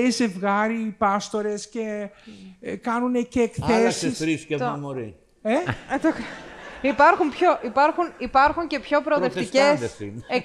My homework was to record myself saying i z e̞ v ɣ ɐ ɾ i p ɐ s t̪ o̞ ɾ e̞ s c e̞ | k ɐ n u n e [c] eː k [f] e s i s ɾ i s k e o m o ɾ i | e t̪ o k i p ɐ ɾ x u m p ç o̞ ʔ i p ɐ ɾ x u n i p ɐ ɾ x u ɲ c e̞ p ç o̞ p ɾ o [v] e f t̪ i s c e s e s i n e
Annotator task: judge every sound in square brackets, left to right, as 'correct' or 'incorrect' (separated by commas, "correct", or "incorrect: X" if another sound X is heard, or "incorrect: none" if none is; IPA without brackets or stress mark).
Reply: correct, incorrect: θ, incorrect: ð